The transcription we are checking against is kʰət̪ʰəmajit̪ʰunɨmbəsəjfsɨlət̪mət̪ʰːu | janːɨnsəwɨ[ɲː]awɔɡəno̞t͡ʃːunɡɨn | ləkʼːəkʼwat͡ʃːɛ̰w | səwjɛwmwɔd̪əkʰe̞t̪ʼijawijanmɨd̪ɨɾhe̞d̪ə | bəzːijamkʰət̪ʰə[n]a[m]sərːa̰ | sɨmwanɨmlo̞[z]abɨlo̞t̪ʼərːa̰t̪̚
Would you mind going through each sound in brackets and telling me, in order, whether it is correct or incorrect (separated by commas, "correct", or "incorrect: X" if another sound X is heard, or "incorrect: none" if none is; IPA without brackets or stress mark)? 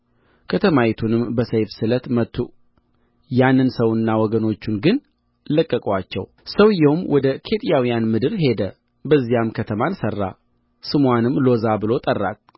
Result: incorrect: nː, incorrect: m, incorrect: n, correct